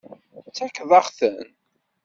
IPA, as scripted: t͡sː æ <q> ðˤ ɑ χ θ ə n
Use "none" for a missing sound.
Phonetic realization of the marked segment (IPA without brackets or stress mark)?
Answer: k